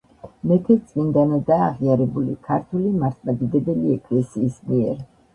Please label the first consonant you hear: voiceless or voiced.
voiced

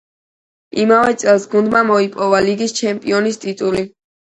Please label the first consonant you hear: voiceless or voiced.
voiced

